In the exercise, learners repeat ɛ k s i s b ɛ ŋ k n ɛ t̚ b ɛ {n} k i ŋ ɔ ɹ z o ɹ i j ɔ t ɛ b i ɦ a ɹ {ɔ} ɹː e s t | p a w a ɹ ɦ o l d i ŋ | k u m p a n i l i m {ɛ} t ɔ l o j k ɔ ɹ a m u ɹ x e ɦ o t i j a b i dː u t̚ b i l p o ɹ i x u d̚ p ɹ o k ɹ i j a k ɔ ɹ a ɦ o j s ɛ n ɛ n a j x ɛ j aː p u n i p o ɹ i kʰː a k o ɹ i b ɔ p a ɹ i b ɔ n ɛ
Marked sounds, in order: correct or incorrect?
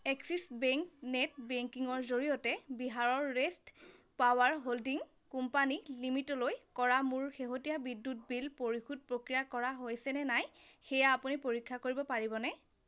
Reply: incorrect: ŋ, correct, incorrect: i

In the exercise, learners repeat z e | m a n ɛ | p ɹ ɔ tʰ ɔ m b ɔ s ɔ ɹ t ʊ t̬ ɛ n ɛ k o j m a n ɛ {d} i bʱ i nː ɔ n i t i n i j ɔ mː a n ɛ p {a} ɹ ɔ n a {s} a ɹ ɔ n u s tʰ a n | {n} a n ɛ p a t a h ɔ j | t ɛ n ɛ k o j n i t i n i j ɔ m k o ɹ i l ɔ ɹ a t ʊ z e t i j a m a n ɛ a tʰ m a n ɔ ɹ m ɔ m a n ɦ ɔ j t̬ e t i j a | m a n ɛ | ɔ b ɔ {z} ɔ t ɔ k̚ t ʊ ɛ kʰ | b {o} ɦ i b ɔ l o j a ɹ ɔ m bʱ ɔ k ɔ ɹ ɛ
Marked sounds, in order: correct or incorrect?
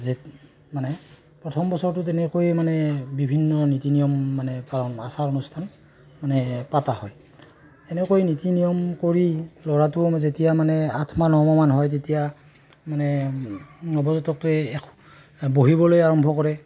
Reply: incorrect: b, correct, correct, incorrect: m, correct, correct

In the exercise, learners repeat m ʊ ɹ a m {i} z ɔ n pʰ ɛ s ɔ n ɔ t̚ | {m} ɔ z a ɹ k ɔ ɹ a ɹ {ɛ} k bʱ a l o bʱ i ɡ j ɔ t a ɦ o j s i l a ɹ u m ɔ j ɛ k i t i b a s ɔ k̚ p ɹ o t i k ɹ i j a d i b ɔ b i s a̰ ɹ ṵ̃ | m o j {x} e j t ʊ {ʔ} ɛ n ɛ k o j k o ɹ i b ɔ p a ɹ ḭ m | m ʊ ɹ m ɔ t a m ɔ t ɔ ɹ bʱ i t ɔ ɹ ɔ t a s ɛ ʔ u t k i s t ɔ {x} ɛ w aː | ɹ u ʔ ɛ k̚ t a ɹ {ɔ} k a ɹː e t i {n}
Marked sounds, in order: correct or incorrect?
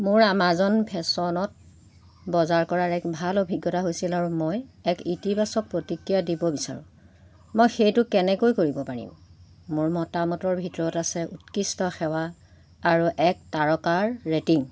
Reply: incorrect: a, incorrect: b, correct, correct, incorrect: k, correct, correct, incorrect: ŋ

